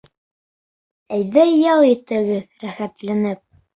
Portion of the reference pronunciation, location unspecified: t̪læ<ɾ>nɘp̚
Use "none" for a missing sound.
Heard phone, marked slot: none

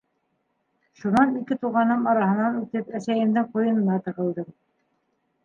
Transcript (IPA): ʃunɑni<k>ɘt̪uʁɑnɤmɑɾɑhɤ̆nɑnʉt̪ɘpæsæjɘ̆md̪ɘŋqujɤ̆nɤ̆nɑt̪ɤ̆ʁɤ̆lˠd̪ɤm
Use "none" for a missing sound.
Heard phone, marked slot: k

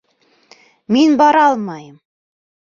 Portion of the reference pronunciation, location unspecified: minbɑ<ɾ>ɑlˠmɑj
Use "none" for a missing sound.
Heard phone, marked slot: ɾ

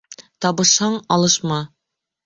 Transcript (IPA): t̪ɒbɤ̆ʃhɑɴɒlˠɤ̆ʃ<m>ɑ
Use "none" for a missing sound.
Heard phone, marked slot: m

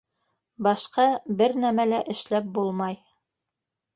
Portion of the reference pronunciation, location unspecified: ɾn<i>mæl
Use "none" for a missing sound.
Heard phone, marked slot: æ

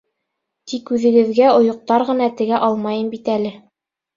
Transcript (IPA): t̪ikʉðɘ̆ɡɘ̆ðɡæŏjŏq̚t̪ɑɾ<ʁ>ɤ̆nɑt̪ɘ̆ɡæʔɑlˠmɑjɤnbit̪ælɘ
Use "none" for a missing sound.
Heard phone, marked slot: ʁ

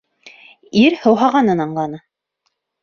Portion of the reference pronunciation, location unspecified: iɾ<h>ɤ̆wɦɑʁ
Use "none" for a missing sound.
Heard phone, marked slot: h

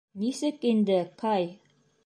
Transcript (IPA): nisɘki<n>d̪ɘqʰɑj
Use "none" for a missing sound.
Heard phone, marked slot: n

